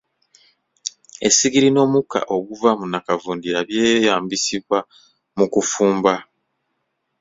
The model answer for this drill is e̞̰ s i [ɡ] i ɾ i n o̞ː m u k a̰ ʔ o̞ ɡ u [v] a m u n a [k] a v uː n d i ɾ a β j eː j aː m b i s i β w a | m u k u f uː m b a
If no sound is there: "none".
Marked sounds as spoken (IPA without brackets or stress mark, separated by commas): ɡ, v, k